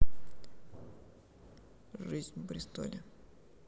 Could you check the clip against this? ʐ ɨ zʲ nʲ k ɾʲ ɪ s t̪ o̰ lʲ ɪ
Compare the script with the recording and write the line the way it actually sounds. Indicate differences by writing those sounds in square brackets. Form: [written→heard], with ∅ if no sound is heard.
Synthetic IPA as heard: ʐ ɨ zʲ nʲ [k→p] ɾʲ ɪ s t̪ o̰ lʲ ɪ